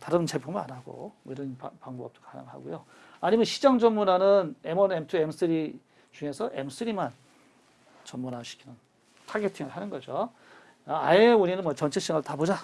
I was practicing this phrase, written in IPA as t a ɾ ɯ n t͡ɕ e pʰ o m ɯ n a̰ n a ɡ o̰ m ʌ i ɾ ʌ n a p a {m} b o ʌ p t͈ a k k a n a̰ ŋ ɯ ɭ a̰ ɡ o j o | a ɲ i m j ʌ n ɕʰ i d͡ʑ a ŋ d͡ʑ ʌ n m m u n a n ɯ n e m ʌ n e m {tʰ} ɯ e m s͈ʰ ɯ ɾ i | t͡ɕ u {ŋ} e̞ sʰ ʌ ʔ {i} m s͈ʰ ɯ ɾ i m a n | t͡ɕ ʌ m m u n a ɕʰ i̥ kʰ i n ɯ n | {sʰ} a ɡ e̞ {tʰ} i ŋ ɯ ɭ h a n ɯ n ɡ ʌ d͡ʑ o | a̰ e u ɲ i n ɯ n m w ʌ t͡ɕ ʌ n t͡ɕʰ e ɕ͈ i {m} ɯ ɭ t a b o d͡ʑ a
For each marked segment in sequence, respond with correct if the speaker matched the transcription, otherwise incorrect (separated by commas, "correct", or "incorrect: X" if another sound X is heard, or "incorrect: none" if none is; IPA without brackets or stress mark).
incorrect: ŋ, correct, correct, incorrect: e, incorrect: tʰ, correct, incorrect: ŋ